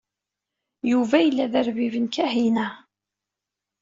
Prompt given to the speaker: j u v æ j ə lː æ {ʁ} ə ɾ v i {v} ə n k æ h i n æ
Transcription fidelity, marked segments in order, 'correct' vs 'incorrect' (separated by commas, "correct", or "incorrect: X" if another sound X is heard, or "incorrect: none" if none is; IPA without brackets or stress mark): incorrect: ð, correct